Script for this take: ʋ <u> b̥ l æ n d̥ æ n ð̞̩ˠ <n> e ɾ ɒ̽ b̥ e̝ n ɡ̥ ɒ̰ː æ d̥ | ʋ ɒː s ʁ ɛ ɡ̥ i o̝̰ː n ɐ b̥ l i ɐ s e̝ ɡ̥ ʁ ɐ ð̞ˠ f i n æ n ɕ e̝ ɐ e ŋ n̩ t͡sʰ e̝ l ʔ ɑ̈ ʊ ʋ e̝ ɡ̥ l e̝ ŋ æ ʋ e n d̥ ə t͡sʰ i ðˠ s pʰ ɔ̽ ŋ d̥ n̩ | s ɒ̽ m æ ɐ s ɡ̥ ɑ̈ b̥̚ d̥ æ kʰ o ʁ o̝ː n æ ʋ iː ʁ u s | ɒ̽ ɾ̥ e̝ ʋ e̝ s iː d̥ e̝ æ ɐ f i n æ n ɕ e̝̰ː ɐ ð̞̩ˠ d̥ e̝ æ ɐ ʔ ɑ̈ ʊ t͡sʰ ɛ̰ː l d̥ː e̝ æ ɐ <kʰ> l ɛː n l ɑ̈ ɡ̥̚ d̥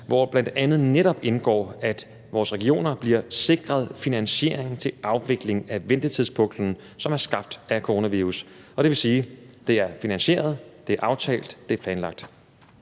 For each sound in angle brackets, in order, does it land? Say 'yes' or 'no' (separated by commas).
no, yes, no